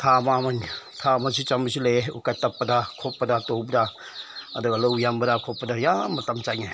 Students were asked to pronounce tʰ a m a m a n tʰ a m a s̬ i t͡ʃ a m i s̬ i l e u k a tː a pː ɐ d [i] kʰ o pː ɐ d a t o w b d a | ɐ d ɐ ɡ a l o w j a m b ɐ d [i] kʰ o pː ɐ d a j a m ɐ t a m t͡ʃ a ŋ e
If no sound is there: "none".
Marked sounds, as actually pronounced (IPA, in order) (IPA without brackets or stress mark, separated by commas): a, a